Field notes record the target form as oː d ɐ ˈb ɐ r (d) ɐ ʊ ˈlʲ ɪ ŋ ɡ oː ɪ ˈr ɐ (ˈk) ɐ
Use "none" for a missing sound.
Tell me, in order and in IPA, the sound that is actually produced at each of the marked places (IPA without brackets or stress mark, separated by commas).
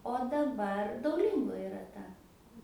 d, t